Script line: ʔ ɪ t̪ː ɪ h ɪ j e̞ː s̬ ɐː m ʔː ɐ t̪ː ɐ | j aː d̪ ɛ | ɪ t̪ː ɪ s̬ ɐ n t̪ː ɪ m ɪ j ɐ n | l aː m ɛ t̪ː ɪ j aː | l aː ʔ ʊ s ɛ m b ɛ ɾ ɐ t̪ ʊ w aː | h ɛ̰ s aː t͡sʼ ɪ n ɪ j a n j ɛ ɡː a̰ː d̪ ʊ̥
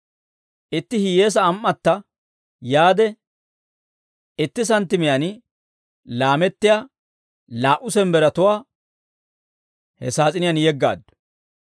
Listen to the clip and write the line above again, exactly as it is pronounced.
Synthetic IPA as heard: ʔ ɪ t̪ː ɪ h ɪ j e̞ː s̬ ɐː m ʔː ɐ t̪ː ɐ | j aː d̪ ɛ | ɪ t̪ː ɪ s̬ ɐ n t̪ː ɪ m ɪ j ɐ n | l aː m ɛ t̪ː ɪ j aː | l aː ʔ ʊ s ɛ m b ɛ ɾ ɐ t̪ ʊ w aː | h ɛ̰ s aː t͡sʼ ɪ n ɪ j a n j ɛ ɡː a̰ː d̪ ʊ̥